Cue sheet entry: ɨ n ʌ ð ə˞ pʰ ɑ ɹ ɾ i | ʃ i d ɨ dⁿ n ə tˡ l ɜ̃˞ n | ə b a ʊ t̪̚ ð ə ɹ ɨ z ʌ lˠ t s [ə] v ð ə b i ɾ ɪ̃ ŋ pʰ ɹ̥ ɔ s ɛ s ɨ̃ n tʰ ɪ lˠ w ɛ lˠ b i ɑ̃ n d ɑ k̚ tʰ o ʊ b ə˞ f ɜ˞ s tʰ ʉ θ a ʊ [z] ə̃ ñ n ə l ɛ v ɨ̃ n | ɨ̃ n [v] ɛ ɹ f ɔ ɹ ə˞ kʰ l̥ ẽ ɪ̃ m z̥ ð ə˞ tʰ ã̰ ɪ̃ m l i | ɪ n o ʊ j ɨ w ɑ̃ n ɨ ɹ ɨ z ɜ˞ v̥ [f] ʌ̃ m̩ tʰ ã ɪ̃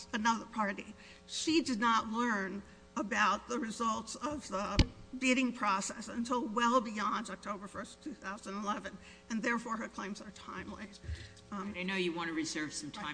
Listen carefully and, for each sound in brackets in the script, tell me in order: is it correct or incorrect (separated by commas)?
incorrect, correct, incorrect, incorrect